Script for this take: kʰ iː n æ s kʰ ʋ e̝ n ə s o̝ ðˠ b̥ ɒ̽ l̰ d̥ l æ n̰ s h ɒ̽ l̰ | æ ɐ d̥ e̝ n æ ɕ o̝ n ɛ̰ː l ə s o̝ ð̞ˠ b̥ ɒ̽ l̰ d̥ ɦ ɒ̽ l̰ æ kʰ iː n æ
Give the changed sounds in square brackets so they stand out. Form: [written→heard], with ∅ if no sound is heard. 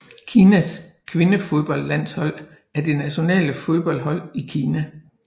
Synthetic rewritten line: kʰ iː n æ s kʰ ʋ e̝ n ə [s→f] o̝ ðˠ b̥ ɒ̽ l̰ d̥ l æ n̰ s h ɒ̽ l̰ | æ ɐ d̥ e̝ n æ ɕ o̝ n ɛ̰ː l ə [s→f] o̝ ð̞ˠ b̥ ɒ̽ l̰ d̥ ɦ ɒ̽ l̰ [æ→i] kʰ iː n æ